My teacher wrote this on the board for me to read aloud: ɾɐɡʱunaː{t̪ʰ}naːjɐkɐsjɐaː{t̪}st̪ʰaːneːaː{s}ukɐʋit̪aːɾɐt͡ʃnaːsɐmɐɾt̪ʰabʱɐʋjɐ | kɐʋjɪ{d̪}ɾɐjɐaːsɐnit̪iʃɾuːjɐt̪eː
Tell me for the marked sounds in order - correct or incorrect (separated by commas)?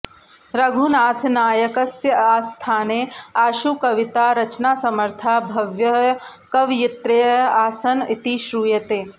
correct, incorrect, incorrect, incorrect